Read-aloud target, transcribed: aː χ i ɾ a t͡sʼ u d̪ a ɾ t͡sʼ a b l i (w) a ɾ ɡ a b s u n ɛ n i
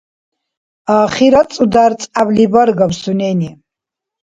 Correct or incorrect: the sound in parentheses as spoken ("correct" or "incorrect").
incorrect